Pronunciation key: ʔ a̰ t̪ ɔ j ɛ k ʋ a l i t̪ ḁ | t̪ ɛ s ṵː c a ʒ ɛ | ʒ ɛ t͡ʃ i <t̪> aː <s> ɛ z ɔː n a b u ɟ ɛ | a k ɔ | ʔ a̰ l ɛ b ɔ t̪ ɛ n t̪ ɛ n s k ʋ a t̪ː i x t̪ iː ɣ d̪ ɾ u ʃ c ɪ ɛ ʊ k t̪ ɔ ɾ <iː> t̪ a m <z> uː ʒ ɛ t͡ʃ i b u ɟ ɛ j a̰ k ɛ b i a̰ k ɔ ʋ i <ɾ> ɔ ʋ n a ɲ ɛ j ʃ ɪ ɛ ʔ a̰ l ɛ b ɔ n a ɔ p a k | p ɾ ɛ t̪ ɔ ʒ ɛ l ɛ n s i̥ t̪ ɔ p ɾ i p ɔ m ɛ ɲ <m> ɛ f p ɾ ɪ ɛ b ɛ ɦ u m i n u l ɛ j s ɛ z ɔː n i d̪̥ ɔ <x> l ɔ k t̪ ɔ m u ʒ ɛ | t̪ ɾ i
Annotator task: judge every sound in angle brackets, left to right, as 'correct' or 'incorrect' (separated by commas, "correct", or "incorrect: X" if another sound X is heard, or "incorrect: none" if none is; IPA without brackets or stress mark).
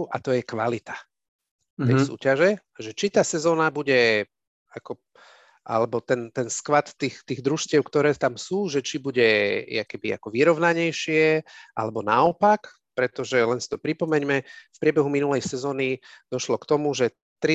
correct, correct, incorrect: ɛː, incorrect: s, correct, correct, incorrect: ʃ